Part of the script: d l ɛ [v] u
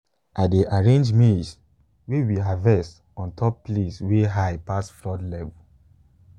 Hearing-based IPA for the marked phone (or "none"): v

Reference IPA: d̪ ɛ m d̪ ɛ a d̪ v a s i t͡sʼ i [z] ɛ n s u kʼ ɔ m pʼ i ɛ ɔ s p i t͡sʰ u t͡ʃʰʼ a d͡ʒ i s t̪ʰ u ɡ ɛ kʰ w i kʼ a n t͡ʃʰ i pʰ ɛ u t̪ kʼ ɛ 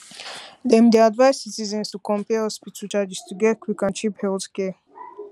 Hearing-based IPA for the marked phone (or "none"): z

